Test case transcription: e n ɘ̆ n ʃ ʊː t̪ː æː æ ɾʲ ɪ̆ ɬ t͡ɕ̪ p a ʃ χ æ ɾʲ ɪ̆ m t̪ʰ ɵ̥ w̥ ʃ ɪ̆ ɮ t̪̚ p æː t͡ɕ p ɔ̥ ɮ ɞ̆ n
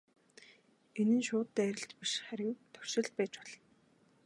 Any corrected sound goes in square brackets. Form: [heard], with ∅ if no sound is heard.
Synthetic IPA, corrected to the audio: e n ɘ̆ n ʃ ʊː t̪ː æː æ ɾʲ ɪ̆ ɬ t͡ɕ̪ p [i] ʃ χ æ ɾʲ ɪ̆ [ŋ] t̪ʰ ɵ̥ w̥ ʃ ɪ̆ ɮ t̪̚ p æː t͡ɕ p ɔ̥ ɮ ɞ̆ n